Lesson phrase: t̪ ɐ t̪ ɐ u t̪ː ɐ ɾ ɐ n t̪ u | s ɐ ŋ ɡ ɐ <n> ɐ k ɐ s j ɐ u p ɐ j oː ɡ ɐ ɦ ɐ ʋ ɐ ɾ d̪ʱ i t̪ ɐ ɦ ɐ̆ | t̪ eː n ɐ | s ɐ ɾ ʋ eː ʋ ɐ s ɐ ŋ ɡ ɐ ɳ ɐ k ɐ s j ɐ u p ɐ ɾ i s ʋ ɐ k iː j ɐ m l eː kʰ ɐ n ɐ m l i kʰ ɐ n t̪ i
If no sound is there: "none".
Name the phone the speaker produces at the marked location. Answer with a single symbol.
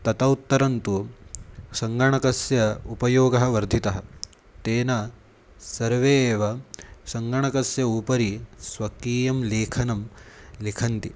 ɳ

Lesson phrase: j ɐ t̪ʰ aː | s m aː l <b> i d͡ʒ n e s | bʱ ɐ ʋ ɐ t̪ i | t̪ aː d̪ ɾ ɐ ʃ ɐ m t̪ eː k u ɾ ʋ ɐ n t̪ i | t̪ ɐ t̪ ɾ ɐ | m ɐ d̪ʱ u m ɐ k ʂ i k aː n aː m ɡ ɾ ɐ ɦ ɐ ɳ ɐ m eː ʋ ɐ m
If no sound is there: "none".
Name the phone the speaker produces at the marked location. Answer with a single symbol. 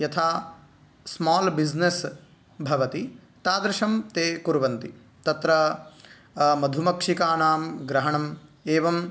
b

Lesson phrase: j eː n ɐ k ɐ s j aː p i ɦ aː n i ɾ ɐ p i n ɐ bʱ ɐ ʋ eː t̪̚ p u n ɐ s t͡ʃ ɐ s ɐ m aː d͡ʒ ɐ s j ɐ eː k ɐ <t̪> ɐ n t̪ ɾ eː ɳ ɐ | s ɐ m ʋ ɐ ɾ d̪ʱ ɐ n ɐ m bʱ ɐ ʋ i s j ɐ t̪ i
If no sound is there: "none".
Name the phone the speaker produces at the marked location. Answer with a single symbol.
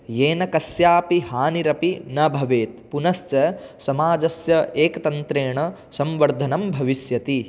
t̪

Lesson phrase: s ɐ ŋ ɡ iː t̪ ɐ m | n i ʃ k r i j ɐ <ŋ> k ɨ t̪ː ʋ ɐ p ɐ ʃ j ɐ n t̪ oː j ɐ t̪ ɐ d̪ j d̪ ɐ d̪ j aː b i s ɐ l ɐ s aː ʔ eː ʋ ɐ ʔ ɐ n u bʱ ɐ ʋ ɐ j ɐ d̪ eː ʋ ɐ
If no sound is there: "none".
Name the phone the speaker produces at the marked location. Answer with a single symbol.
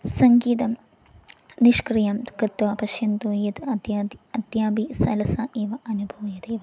m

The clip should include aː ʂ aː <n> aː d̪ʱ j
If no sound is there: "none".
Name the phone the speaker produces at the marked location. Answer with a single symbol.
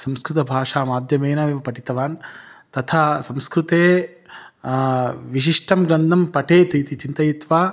m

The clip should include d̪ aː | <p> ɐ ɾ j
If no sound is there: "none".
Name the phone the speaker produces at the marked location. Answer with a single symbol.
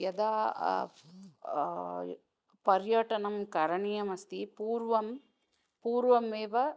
p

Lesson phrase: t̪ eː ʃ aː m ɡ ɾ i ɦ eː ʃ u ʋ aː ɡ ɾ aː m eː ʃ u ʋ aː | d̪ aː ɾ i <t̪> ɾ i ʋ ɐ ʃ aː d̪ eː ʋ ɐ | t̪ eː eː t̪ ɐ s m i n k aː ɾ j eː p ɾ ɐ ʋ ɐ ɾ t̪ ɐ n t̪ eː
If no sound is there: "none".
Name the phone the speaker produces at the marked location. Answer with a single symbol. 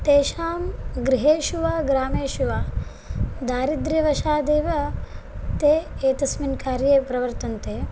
d̪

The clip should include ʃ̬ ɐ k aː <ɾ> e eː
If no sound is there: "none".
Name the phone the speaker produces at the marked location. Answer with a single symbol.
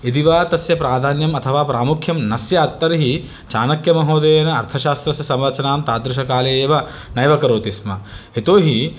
l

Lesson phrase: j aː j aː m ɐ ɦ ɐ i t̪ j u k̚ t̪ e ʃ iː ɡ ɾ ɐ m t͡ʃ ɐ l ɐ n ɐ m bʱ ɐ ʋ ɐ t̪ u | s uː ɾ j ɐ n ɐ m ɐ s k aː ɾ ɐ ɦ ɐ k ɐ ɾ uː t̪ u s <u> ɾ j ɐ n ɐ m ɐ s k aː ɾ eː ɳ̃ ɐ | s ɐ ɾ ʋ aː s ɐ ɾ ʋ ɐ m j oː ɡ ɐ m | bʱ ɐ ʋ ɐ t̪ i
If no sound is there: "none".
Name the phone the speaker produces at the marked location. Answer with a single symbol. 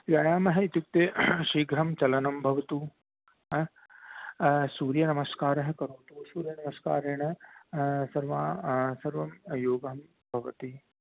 uː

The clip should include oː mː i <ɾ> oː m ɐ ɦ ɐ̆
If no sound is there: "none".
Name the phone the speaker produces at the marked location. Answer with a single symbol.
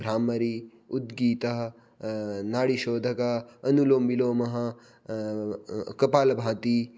l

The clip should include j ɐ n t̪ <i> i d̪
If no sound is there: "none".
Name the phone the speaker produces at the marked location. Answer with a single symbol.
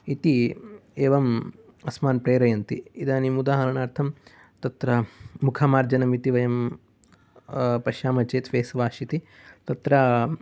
i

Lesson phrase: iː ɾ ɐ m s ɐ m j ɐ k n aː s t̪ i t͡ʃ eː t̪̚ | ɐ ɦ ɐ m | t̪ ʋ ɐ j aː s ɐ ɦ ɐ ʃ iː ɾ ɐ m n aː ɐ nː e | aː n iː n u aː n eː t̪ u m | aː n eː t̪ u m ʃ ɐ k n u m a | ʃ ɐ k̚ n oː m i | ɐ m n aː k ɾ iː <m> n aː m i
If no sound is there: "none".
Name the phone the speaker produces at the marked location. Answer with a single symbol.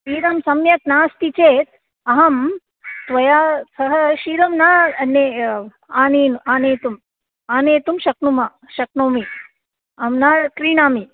none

